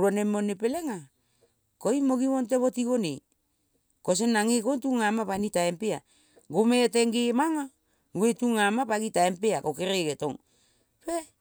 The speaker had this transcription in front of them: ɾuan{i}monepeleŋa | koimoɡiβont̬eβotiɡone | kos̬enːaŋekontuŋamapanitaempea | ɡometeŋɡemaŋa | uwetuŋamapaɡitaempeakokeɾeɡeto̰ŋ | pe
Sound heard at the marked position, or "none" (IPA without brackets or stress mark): e